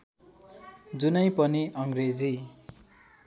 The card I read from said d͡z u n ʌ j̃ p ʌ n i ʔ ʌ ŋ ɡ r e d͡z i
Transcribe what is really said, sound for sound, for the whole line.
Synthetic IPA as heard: d͡z u n ʌ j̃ p ʌ n i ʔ ʌ ŋ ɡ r e d͡z i